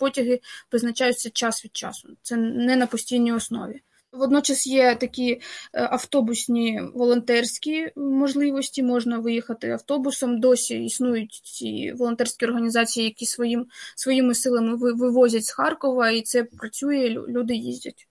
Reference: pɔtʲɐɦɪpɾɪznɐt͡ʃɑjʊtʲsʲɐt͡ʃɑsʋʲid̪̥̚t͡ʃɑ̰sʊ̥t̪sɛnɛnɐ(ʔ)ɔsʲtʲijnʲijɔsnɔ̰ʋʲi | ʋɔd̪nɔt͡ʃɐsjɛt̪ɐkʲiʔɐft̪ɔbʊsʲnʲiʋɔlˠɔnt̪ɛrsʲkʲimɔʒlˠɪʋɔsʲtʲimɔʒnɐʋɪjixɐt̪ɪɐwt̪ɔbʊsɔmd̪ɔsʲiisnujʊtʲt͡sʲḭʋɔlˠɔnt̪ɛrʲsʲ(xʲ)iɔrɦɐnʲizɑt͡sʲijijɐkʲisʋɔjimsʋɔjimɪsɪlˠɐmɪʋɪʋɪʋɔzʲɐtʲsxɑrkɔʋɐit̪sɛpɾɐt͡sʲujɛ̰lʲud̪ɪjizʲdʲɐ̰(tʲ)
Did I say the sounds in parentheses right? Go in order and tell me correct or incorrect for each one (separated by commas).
incorrect, incorrect, correct